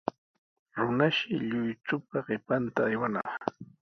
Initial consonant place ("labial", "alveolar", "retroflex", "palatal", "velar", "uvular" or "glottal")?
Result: alveolar